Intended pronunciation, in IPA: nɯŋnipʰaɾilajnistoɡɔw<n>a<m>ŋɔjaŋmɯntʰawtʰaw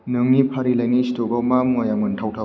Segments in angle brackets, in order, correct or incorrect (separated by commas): incorrect, correct